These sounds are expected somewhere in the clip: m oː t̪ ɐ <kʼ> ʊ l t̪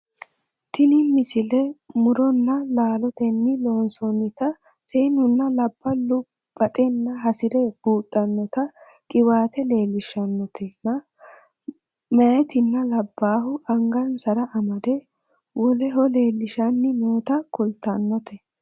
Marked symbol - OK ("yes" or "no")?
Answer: no